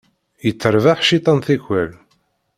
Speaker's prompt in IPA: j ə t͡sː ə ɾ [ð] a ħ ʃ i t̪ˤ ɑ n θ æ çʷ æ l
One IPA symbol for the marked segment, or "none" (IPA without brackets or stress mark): v